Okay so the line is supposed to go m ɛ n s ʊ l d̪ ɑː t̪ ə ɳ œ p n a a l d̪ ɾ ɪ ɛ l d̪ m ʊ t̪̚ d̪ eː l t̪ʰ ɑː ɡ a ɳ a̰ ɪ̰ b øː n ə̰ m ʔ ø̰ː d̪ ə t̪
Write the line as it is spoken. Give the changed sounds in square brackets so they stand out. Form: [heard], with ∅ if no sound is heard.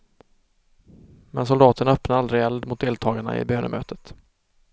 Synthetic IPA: m ɛ n s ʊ l d̪ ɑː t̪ ə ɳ œ p n a a l d̪ ɾ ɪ ɛ l d̪ m ʊ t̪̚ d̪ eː l t̪ʰ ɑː ɡ a ɳ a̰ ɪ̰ b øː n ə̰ m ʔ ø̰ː [t̪] ə t̪